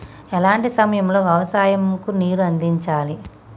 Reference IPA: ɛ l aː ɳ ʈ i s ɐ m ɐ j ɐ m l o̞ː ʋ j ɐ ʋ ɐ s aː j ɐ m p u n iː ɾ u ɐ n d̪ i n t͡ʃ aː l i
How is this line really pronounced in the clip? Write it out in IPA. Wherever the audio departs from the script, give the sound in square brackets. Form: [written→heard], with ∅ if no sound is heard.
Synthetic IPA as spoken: ɛ l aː ɳ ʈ i s ɐ m ɐ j ɐ m l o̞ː ʋ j ɐ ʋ ɐ s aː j ɐ m [p→k] u n iː ɾ u ɐ n d̪ i [n→ɲ] t͡ʃ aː l i